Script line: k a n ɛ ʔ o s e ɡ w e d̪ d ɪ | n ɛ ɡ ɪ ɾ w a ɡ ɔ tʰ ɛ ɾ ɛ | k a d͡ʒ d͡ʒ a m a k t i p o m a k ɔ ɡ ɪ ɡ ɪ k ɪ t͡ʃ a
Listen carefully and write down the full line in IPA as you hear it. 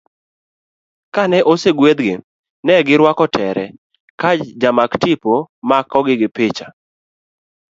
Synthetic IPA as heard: k a n ɛ ʔ o s e ɡ w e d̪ ɡ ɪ | n ɛ ɡ ɪ ɾ w a k ɔ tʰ ɛ ɾ ɛ | k a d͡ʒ d͡ʒ a m a k t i p o m a k ɔ ɡ ɪ ɡ ɪ p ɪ t͡ʃ a